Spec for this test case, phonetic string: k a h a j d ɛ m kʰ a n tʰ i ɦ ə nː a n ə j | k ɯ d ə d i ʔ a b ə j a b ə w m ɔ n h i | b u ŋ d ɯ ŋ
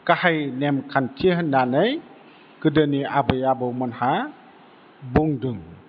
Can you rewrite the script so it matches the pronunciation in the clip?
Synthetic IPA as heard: k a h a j n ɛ m kʰ a n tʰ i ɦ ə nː a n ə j | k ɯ d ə n i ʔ a b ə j a b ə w m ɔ n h a | b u ŋ d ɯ ŋ